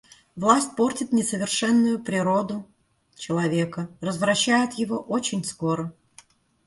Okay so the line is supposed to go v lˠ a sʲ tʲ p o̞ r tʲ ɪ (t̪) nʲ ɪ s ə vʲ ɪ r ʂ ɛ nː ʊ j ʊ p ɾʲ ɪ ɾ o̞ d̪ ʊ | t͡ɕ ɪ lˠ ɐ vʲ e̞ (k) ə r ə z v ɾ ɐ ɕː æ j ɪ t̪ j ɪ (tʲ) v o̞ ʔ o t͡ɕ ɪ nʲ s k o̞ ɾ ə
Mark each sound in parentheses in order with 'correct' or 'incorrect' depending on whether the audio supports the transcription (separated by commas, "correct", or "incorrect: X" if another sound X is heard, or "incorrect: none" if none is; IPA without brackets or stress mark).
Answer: correct, correct, incorrect: none